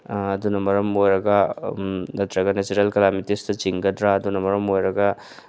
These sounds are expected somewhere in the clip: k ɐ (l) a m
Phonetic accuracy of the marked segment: correct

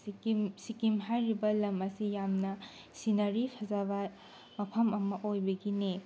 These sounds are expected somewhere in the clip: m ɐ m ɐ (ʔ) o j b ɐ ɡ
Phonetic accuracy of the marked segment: correct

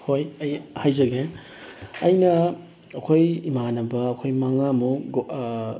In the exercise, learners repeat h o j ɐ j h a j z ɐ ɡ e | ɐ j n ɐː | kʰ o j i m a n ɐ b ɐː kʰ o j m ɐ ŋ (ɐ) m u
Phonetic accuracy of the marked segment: incorrect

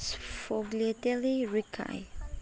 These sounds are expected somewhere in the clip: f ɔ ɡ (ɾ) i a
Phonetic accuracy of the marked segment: incorrect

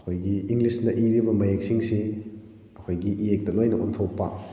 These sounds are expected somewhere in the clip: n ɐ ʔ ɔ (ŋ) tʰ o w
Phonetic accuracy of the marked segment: incorrect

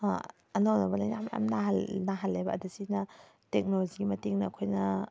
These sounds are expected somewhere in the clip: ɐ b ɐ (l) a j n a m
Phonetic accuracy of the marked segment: correct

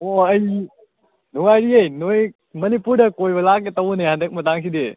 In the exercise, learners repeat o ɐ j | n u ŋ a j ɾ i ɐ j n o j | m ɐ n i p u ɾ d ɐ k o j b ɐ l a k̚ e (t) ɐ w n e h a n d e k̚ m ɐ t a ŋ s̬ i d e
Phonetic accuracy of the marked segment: correct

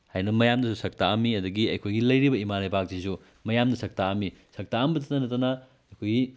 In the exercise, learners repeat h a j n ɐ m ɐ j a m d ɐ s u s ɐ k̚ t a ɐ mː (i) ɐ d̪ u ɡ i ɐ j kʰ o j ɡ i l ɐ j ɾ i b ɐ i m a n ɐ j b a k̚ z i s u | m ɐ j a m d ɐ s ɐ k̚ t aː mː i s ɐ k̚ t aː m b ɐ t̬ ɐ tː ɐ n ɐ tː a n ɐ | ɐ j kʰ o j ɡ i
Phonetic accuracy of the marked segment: correct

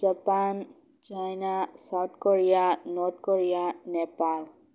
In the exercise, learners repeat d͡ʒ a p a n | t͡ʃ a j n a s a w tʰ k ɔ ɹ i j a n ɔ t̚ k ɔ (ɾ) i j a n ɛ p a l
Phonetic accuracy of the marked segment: incorrect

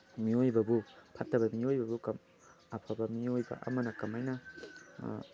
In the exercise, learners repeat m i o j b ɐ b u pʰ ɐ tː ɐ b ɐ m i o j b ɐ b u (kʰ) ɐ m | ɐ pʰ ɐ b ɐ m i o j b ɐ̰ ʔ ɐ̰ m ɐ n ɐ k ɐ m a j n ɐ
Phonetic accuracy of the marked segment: incorrect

